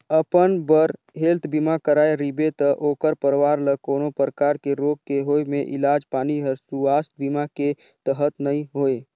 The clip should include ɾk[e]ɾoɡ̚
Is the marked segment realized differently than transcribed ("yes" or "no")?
no